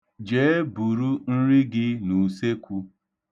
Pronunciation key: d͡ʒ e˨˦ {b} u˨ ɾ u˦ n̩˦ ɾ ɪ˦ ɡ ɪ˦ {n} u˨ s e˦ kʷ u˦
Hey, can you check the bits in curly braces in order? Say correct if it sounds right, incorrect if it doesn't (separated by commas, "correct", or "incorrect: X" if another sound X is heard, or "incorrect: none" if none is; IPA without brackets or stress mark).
correct, correct